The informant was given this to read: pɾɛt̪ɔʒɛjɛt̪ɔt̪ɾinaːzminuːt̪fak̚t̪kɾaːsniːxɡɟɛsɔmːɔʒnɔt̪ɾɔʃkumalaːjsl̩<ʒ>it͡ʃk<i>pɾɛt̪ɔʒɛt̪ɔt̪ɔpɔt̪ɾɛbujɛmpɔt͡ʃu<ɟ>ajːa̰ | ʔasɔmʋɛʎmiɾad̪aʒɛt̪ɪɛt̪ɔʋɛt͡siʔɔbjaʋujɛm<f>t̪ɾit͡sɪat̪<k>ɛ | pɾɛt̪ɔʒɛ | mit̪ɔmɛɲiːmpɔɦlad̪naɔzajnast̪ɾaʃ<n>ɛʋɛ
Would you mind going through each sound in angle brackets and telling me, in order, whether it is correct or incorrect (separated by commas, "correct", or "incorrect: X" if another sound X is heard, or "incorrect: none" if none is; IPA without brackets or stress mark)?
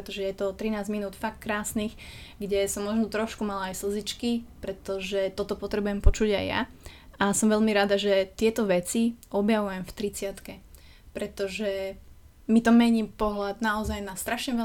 incorrect: z, correct, correct, correct, correct, incorrect: ɲ